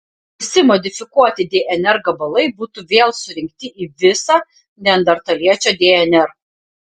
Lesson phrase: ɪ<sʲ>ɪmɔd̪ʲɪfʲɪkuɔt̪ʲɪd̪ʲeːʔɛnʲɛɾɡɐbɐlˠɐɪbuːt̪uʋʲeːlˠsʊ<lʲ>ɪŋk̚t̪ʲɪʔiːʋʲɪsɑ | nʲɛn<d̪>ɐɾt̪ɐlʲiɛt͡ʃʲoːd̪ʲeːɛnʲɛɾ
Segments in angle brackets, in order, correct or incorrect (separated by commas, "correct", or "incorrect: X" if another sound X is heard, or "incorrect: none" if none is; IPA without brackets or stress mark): correct, incorrect: ɾʲ, correct